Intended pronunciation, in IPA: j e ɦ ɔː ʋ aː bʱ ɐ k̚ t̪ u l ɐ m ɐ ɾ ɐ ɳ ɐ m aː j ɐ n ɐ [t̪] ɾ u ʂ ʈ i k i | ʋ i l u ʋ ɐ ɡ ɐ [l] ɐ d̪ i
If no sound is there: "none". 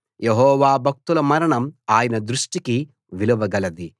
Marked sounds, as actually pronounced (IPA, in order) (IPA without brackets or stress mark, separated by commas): d̪, l